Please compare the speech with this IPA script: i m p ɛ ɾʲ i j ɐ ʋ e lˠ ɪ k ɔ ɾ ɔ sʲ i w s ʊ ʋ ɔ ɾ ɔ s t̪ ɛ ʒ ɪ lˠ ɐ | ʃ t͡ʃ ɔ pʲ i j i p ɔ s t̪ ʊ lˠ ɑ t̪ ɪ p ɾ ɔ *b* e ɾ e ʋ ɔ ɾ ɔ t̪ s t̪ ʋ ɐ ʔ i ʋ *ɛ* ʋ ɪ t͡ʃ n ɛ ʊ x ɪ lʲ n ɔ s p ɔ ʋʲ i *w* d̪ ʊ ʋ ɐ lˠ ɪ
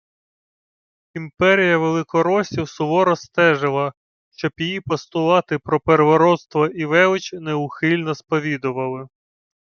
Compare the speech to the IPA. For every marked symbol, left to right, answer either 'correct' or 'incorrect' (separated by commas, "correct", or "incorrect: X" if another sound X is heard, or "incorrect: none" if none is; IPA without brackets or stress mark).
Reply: incorrect: p, correct, incorrect: none